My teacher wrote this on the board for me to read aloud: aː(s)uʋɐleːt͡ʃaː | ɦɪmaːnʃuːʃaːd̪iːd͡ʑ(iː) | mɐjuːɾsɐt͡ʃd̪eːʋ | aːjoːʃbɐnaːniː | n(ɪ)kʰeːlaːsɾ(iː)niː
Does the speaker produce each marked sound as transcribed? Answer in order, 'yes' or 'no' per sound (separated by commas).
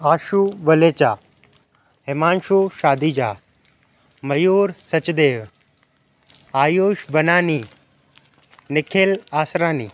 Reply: no, no, yes, no